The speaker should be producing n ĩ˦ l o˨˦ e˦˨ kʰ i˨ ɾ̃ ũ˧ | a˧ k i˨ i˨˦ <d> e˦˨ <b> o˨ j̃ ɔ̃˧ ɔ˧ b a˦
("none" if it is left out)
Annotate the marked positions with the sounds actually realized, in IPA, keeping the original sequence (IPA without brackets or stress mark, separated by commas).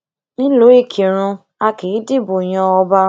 d, b